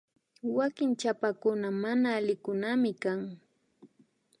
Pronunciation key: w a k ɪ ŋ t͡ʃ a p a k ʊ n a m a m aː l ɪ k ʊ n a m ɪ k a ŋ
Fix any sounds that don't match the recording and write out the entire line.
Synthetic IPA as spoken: w a k ɪ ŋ t͡ʃ a p a k ʊ n a m a n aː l ɪ k ʊ n a m ɪ k a ŋ